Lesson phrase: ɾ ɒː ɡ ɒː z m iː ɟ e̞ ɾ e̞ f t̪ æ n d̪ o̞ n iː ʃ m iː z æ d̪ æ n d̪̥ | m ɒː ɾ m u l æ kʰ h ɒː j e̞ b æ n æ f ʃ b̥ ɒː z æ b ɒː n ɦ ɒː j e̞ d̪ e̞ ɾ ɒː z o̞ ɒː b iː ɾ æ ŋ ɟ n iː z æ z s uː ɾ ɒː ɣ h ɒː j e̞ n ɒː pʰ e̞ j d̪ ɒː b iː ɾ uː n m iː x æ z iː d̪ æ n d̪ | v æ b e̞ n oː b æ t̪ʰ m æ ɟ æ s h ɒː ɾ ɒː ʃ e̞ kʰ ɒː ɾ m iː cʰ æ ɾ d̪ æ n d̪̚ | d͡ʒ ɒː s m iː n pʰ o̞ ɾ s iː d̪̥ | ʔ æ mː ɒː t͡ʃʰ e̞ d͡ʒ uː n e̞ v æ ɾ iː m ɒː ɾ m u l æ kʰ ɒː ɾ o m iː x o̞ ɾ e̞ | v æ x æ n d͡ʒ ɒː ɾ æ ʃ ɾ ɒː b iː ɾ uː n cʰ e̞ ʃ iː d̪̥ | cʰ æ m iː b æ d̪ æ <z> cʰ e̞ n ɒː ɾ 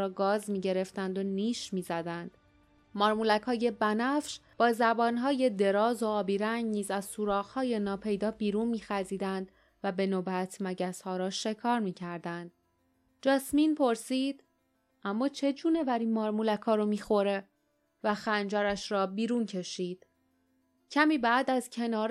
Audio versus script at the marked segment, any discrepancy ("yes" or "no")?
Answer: no